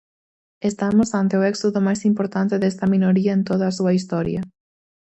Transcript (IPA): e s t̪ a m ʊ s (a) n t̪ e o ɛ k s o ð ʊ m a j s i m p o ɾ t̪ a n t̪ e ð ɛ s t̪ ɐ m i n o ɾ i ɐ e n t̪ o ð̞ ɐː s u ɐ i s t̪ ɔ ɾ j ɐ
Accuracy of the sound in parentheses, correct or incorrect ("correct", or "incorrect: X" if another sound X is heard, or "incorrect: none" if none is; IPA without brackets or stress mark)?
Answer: correct